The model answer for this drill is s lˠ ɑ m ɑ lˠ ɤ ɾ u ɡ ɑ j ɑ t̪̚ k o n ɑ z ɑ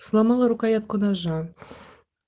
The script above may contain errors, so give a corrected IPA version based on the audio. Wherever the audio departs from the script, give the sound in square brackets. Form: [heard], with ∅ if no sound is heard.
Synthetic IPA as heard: s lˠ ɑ m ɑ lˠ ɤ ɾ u [k] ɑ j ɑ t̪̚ k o n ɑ [ʒ] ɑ